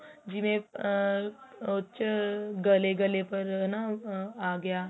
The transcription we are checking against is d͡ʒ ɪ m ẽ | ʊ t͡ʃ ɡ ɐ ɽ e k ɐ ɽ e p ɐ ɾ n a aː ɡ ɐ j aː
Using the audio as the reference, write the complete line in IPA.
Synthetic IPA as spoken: d͡ʒ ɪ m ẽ | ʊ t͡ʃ ɡ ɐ l e ɡ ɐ l e p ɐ ɾ n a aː ɡ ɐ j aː